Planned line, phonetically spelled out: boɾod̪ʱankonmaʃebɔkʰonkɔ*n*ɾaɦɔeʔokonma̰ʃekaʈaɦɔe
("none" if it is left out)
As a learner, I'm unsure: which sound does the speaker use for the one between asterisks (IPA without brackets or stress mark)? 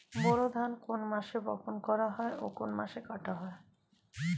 none